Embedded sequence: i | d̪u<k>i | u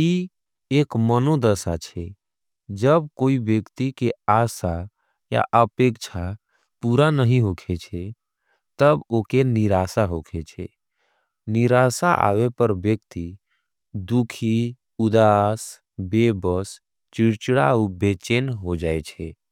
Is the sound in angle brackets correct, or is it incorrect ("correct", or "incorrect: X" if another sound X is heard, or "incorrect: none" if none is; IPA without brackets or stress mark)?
incorrect: kʰ